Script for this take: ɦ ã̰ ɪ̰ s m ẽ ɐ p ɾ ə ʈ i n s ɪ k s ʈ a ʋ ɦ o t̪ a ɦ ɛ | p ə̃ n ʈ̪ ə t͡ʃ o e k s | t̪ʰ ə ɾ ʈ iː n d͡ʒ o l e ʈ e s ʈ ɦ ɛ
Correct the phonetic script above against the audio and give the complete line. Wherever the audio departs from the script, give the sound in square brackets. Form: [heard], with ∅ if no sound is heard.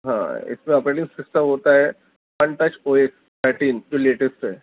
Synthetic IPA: ɦ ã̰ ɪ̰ s m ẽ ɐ p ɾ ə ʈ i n s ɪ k s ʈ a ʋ ɦ o t̪ a ɦ ɛ | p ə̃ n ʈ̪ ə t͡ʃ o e k s | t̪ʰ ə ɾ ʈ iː n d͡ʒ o l e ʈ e s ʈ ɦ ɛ